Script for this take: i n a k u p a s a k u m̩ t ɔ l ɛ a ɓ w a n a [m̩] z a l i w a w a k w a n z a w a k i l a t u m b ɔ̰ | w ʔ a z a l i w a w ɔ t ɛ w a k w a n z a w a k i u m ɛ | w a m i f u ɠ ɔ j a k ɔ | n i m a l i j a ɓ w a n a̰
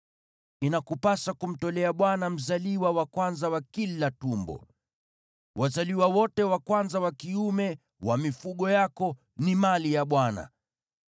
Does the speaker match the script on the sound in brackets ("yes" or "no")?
yes